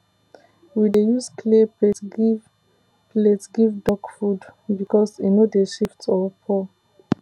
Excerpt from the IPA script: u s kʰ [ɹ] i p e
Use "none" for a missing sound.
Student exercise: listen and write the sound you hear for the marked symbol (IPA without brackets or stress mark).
l